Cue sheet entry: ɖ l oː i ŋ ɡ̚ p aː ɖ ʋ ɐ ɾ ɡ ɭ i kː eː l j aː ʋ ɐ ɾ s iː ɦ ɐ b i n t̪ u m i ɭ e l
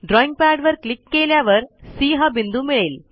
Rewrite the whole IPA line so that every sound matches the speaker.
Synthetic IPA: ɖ ɾ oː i ŋ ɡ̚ p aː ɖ ʋ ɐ ɾ k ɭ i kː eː l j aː ʋ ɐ ɾ s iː ɦ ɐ b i n d̪ u m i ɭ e l

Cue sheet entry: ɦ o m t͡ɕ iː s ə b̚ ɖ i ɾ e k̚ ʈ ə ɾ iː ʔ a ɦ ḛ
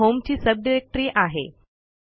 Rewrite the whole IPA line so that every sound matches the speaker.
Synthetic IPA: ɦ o m t͡ɕ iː s ə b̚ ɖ i ɾ e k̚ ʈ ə ɾ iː ʔ a ɦ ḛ

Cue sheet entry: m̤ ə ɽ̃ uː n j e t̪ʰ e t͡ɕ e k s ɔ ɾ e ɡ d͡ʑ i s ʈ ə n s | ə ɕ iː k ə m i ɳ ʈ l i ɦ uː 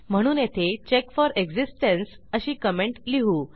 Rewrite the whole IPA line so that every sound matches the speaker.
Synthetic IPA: m̤ ə ɽ̃ uː n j e t̪ʰ e t͡ɕ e k f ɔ ɾ e ɡ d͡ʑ i s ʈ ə n s | ə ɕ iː k ə m e ɳ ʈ l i ɦ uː

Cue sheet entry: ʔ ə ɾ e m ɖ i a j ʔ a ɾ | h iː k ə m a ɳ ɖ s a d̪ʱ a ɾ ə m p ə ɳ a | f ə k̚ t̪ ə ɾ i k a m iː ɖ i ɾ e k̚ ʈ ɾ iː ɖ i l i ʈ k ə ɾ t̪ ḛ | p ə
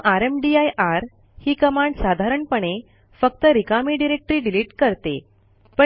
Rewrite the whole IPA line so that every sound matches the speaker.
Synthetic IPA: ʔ a ɾ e m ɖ i a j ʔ a ɾ | h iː k ə m a ɳ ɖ s a d̪ʱ a ɾ ə ɳ p ə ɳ e | f ə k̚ t̪ ə ɾ i k a m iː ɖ i ɾ e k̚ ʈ ɾ iː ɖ i l i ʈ k ə ɾ t̪ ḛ | p ə

